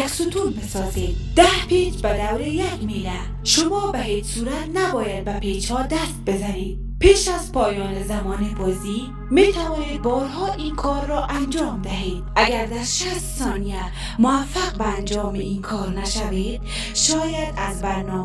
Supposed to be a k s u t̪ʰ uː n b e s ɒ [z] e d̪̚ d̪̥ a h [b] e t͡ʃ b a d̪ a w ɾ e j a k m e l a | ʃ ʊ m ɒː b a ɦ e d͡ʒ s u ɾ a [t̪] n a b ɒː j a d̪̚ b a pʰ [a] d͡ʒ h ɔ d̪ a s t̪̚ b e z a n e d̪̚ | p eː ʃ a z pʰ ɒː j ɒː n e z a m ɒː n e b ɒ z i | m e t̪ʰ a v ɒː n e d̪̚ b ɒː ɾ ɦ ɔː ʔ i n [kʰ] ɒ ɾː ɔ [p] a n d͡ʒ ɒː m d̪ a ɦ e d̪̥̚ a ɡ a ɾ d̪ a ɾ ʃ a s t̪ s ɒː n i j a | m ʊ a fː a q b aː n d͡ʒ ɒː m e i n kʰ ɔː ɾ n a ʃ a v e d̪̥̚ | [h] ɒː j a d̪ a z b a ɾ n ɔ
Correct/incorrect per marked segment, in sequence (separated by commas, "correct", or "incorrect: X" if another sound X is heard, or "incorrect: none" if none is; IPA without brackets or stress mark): correct, incorrect: p, correct, incorrect: e, correct, incorrect: ʔ, incorrect: ʃ